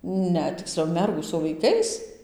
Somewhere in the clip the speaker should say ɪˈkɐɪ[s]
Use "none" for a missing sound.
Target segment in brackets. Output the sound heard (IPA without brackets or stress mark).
s